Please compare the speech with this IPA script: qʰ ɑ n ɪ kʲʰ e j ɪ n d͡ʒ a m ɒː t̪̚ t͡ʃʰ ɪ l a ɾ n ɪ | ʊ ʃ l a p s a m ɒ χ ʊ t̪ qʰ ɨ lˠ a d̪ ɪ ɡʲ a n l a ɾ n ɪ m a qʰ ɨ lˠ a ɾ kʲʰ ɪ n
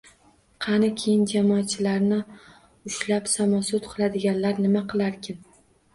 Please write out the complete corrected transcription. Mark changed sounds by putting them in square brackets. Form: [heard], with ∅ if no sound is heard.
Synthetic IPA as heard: qʰ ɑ n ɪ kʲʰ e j ɪ n d͡ʒ a m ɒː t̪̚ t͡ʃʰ ɪ l a ɾ n ɪ | ʊ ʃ l a p s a m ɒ [s] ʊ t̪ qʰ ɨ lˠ a d̪ ɪ ɡʲ a n l a ɾ n ɪ m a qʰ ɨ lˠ a ɾ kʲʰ ɪ n